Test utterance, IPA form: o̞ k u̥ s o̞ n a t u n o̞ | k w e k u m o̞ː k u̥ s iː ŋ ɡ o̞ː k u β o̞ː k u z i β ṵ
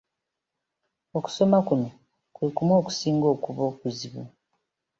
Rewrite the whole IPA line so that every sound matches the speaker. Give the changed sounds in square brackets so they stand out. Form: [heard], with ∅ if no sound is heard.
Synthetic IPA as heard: o̞ k u̥ s o̞ [m] a [k] u n o̞ | k w e k u m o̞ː k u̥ s iː ŋ ɡ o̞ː k u β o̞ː k u z i β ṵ